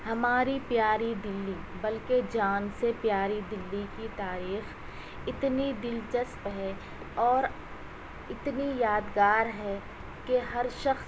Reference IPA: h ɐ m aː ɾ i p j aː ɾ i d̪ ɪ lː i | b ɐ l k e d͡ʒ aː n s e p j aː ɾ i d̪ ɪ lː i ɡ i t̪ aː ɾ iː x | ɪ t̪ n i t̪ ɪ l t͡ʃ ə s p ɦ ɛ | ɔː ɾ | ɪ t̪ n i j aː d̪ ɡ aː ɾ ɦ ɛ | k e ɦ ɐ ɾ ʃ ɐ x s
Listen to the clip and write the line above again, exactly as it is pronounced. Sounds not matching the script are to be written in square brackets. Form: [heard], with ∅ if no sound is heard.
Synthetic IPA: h ɐ m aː ɾ i p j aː ɾ i d̪ ɪ lː i | b ɐ l k e d͡ʒ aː n s e p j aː ɾ i d̪ ɪ lː i [k] i t̪ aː ɾ iː x | ɪ t̪ n i [d̪] ɪ l t͡ʃ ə s p ɦ ɛ | ɔː ɾ | ɪ t̪ n i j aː d̪ ɡ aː ɾ ɦ ɛ | k e ɦ ɐ ɾ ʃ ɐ x s

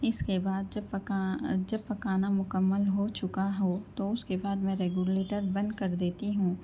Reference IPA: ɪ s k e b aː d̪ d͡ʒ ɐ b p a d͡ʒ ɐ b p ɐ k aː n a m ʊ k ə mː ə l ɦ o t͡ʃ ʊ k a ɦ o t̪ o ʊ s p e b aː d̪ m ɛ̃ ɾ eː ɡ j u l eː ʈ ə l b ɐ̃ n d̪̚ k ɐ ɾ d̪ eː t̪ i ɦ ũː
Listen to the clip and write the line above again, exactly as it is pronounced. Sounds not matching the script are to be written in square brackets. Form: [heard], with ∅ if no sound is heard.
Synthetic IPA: ɪ s k e b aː d̪ d͡ʒ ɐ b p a d͡ʒ ɐ b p ɐ k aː n a m ʊ k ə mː ə l ɦ o t͡ʃ ʊ k a ɦ o t̪ o ʊ s [k] e b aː d̪ m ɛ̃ ɾ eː ɡ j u l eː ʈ ə [ɾ] b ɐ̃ n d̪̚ k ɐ ɾ d̪ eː t̪ i ɦ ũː

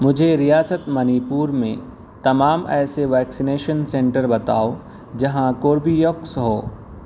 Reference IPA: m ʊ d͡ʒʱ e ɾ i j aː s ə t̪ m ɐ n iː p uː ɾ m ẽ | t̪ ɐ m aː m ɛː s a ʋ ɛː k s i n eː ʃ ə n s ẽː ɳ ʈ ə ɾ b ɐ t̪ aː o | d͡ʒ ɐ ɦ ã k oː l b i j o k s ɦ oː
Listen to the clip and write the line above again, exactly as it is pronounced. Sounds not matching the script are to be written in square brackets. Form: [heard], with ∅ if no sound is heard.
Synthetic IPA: m ʊ d͡ʒʱ e ɾ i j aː s ə t̪ m ɐ n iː p uː ɾ m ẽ | t̪ ɐ m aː m ɛː s [e] ʋ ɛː k s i n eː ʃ ə n s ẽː ɳ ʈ ə ɾ b ɐ t̪ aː o | d͡ʒ ɐ ɦ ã k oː [ɾ] b i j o k s ɦ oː

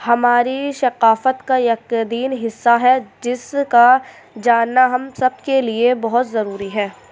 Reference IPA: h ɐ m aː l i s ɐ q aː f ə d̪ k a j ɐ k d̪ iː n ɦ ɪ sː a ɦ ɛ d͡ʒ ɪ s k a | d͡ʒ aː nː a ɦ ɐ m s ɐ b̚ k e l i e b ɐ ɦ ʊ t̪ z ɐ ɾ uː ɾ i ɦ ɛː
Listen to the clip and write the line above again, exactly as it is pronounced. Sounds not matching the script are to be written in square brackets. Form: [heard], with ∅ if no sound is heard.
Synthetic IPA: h ɐ m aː [ɾ] i [ʃ] ɐ q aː f ə [t̪] k a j ɐ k d̪ iː n ɦ ɪ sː a ɦ ɛ d͡ʒ ɪ s k a | d͡ʒ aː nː a ɦ ɐ m s ɐ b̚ k e l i e b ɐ ɦ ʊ t̪ z ɐ ɾ uː ɾ i ɦ ɛː

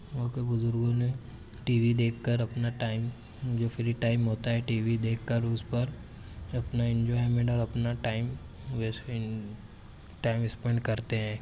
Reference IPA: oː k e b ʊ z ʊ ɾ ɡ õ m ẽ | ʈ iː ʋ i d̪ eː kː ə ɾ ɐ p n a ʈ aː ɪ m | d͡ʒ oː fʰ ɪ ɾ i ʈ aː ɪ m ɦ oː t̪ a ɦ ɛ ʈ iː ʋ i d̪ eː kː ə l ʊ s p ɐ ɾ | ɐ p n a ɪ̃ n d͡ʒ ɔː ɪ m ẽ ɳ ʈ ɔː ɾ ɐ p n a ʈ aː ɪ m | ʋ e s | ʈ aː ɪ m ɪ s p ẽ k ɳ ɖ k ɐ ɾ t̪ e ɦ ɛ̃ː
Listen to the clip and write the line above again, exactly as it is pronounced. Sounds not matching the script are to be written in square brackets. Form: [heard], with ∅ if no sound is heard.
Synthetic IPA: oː k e b ʊ z ʊ ɾ ɡ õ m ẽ | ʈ iː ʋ i d̪ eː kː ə ɾ ɐ p n a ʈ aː ɪ m | d͡ʒ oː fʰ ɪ ɾ i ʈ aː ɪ m ɦ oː t̪ a ɦ ɛ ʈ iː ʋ i d̪ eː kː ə [ɾ] ʊ s p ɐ ɾ | ɐ p n a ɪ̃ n d͡ʒ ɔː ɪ m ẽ ɳ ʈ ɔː ɾ ɐ p n a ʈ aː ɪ m | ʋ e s | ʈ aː ɪ m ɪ s p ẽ [∅] ɳ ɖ k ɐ ɾ t̪ e ɦ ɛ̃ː

